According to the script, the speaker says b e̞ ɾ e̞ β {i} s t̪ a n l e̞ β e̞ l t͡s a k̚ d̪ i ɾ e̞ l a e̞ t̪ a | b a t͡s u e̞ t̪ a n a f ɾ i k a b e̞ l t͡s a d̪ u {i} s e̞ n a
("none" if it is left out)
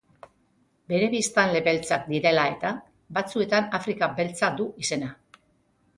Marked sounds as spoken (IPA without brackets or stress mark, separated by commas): i, i